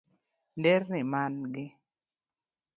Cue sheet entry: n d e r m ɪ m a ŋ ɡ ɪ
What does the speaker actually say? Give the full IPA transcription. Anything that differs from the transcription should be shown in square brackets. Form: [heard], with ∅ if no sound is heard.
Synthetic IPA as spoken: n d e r [n] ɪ m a [n] ɡ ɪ